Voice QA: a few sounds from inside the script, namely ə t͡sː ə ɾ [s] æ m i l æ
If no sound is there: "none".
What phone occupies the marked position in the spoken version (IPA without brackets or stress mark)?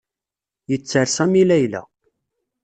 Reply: s